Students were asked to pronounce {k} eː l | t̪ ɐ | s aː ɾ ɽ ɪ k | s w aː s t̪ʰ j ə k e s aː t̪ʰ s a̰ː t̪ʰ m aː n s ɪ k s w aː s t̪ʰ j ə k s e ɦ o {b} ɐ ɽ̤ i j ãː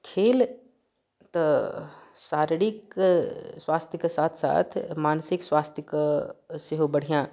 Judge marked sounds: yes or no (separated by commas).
no, yes